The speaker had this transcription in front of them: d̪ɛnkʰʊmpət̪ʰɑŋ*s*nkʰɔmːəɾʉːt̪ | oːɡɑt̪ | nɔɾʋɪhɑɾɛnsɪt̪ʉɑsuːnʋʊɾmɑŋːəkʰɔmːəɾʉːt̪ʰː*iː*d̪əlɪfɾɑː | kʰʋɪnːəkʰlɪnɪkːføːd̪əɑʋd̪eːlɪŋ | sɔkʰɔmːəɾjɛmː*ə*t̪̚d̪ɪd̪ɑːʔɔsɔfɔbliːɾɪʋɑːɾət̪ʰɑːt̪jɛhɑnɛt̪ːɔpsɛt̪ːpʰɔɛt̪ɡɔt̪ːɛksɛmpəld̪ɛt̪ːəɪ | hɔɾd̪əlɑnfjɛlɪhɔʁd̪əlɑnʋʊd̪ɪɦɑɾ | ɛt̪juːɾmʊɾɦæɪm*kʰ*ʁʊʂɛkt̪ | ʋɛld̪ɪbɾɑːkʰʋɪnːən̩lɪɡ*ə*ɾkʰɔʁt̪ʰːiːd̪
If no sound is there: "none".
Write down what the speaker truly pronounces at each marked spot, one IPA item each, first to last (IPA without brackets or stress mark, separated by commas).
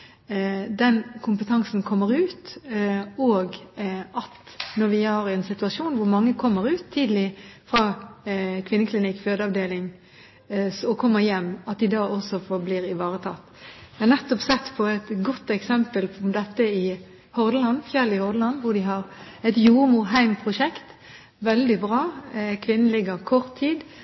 s, iː, ɑ, pʰ, ə